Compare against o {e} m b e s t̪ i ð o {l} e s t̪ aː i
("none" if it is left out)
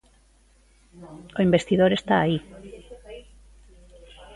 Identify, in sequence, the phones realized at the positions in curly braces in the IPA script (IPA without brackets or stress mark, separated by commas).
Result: i, ɾ